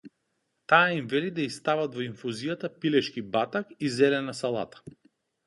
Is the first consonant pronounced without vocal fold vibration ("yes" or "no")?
yes